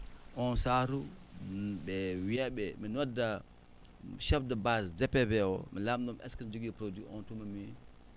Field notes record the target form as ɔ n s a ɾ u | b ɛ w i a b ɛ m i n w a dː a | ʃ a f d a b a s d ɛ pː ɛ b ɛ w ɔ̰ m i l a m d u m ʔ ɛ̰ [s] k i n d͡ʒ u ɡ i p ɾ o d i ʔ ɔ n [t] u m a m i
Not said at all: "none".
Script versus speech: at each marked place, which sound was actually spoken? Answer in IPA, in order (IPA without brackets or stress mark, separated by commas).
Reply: s, t